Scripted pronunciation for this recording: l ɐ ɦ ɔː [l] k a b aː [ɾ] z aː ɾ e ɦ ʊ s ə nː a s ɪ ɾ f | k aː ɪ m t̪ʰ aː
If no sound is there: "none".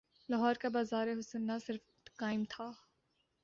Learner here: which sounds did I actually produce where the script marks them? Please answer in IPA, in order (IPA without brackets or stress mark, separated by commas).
ɾ, none